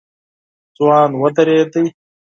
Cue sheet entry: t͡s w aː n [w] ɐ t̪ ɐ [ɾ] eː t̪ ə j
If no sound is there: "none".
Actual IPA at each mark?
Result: w, ɾ

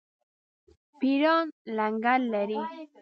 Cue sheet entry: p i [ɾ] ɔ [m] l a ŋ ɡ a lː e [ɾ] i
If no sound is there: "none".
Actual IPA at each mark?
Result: ɾ, n, ɾ

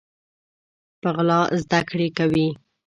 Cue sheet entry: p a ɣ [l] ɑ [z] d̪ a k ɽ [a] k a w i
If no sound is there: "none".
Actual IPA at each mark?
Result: l, z, e

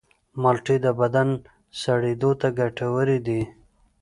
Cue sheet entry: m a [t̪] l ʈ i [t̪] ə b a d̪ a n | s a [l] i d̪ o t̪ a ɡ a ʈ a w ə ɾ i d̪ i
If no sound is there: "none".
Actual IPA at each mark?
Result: none, d̪, ɽ

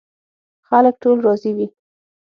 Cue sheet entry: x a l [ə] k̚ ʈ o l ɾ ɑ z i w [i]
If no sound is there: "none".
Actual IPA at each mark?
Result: ə, i

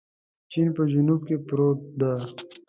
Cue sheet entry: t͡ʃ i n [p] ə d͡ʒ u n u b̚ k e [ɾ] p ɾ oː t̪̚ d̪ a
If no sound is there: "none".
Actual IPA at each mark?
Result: p, none

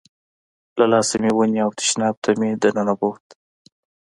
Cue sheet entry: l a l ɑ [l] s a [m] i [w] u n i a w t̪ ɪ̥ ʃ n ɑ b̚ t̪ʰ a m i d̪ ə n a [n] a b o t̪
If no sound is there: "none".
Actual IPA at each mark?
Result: none, m, w, n

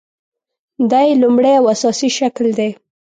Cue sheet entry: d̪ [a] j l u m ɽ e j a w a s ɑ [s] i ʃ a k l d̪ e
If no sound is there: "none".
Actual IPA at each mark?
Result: a, s

